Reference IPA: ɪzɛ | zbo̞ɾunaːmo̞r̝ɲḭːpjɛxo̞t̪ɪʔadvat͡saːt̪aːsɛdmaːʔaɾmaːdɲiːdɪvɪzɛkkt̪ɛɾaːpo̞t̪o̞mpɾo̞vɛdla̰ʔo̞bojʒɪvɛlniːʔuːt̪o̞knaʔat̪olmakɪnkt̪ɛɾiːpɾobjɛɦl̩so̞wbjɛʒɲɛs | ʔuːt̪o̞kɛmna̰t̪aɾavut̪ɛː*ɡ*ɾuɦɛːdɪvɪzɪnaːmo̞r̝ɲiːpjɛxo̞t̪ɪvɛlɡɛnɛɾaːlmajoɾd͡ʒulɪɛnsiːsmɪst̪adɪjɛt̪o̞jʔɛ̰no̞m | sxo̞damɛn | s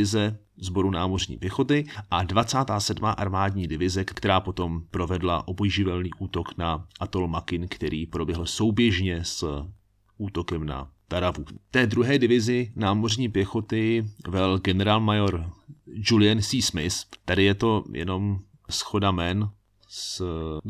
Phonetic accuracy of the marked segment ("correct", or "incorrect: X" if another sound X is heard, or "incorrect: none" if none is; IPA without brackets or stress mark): incorrect: d